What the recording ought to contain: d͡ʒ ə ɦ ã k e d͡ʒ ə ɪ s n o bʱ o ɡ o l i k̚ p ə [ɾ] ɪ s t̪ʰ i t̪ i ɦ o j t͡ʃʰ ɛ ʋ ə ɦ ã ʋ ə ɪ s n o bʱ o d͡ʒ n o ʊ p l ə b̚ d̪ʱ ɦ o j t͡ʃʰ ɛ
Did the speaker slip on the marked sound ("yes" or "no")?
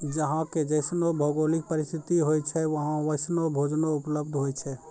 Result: no